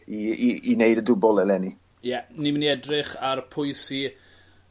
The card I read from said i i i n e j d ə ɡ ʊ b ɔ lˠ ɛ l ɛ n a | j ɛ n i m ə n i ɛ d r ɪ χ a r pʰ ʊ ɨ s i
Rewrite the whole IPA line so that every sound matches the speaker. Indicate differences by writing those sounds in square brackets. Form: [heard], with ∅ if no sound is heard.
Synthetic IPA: i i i n e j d ə [d] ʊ b ɔ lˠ ɛ l ɛ n [i] | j ɛ n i m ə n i ɛ d r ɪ χ a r pʰ ʊ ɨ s i